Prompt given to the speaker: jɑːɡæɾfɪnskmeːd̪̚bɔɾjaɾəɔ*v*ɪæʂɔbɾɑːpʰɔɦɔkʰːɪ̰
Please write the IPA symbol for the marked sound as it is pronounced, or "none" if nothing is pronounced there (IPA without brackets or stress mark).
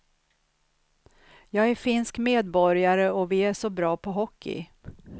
v